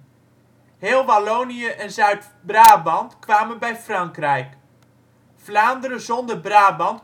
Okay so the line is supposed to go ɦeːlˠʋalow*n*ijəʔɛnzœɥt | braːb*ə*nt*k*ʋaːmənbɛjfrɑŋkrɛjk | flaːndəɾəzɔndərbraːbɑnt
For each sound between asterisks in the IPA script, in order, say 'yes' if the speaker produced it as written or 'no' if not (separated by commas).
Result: yes, no, yes